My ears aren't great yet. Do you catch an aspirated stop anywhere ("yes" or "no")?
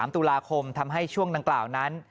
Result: yes